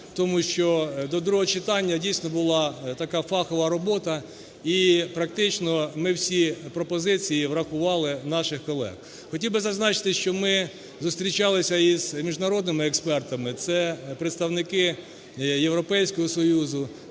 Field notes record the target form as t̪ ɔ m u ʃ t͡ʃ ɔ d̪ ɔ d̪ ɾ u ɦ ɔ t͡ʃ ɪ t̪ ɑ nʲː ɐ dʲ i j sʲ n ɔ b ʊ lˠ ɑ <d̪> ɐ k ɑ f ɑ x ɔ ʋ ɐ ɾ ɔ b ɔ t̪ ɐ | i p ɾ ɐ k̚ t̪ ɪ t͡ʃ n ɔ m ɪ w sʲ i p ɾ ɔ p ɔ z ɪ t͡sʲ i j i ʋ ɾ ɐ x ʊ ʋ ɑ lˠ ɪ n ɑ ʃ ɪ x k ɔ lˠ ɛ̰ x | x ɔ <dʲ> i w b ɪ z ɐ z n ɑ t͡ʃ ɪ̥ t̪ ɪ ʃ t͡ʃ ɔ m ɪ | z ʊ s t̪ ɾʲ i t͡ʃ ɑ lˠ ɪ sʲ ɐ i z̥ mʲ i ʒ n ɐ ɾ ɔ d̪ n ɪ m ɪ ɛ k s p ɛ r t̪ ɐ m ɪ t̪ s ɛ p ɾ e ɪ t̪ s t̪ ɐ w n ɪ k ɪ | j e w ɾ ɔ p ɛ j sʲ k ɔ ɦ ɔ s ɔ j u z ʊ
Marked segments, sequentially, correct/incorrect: incorrect, incorrect

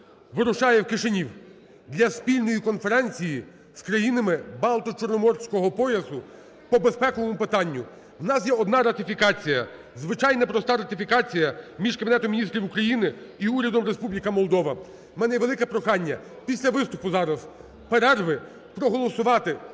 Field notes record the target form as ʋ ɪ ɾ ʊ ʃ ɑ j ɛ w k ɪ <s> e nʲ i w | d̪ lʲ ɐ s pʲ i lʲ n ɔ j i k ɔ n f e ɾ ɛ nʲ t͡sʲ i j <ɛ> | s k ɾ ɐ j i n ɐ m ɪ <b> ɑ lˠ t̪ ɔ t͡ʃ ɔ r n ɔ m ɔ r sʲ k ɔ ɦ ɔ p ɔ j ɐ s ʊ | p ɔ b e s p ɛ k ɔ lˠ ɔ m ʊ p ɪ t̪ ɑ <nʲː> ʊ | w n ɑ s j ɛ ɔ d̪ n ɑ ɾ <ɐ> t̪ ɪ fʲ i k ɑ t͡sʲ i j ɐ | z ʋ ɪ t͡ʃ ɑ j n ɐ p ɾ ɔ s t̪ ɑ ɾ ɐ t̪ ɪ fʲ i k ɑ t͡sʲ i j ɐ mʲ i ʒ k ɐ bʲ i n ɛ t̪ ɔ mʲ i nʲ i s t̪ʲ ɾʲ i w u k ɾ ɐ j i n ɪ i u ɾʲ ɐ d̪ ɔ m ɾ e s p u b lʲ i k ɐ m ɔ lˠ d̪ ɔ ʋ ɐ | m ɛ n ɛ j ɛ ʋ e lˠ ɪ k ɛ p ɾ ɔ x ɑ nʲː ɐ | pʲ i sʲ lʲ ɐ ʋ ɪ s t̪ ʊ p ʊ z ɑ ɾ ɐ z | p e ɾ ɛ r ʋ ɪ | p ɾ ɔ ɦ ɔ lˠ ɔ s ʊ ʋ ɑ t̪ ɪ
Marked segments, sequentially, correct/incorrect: incorrect, incorrect, correct, correct, correct

